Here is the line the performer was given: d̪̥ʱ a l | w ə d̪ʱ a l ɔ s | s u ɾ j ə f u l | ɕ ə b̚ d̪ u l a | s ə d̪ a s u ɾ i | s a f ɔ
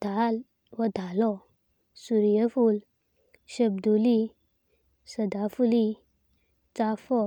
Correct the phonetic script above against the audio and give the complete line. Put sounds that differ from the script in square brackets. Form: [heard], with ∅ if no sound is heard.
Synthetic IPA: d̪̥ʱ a l | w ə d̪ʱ a l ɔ [∅] | s u ɾ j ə f u l | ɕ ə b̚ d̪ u l [i] | s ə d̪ a [f] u [l] i | [t͡s] a f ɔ

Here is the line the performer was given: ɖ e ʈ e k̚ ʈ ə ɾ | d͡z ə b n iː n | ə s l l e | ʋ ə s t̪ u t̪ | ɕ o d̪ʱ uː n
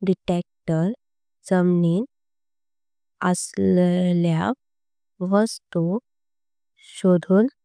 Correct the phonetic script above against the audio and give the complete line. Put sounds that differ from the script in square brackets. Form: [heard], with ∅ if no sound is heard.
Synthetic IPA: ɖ [i] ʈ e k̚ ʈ ə ɾ | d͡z ə [m] n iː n | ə s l l [a] | ʋ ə s t̪ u [∅] | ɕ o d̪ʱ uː n

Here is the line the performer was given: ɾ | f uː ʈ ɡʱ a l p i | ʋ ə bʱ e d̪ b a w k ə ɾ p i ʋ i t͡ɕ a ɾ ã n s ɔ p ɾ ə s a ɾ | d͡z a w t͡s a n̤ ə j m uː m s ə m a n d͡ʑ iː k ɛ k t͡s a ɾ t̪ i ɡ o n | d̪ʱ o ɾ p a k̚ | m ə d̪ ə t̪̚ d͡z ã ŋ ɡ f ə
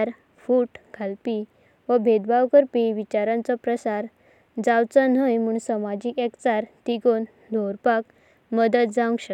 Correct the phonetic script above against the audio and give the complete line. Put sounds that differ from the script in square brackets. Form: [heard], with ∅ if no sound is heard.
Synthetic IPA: ɾ | f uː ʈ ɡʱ a l p i | ʋ ə bʱ e d̪ b a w k ə ɾ p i ʋ i t͡ɕ a ɾ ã n [t͡s] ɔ p ɾ ə s a ɾ | d͡z a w t͡s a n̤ ə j m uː [ɳ] s ə m a [∅] d͡ʑ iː k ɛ k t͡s a ɾ t̪ i ɡ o n | d̪ʱ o ɾ p a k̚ | m ə d̪ ə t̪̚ d͡z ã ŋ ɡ [ɕ] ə

